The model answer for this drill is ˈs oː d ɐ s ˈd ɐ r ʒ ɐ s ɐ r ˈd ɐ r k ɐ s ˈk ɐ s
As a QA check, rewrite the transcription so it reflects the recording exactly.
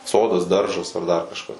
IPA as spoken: ˈs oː d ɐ s ˈd ɐ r ʒ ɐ s ɐ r ˈd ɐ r k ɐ ʃ ˈk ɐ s